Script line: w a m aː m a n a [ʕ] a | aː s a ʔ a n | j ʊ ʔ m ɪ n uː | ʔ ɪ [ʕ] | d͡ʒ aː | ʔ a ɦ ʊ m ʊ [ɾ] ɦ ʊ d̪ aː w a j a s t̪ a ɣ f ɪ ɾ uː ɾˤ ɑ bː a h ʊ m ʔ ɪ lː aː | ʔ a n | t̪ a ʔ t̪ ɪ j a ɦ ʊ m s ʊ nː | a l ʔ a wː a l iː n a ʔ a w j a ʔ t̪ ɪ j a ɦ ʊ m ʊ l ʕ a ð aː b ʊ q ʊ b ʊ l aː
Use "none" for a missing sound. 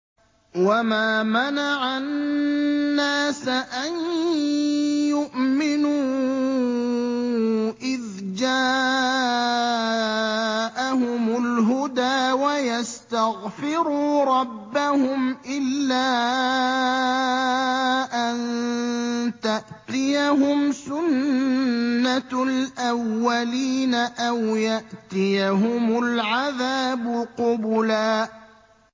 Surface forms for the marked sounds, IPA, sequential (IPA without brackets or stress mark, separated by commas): ʕ, ð, l